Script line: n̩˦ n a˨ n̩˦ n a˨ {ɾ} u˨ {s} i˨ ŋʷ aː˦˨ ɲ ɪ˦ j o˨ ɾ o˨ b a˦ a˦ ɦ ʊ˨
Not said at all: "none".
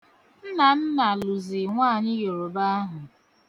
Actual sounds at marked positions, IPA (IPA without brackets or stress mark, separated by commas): l, z